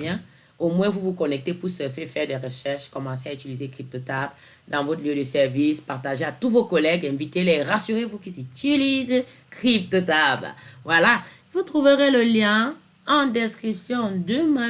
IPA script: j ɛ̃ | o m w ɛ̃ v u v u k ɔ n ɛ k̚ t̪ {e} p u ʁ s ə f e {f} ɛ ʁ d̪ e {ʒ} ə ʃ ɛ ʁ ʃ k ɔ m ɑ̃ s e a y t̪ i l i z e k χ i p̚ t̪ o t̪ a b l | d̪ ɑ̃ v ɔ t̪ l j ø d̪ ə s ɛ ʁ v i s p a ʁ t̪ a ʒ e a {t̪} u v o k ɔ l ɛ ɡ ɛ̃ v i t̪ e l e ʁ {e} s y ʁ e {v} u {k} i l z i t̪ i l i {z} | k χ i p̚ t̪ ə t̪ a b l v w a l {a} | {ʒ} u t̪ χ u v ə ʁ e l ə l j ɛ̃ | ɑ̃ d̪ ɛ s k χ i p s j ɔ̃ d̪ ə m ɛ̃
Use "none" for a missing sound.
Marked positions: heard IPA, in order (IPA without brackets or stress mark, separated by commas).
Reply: e, f, ʁ, t̪, a, v, k, z, a, v